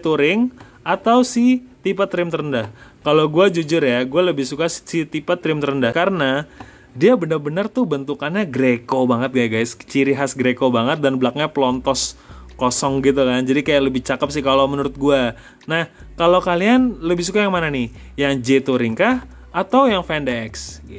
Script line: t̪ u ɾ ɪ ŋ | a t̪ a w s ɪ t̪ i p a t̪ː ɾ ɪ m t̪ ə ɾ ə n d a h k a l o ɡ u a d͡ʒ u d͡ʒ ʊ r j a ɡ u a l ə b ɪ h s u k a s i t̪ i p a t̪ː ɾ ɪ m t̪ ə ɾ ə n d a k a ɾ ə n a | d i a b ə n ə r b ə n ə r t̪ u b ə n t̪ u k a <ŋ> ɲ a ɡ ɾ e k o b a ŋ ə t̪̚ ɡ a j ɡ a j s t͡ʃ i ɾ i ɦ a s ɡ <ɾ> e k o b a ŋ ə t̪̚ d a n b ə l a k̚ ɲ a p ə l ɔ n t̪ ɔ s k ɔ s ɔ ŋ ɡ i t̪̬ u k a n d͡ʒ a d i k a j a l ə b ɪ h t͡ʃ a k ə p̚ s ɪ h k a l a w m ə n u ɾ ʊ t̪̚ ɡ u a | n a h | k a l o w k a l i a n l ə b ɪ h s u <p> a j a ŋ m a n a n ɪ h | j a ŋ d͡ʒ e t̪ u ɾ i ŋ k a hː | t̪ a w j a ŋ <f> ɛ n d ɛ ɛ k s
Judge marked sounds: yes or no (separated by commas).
no, yes, no, yes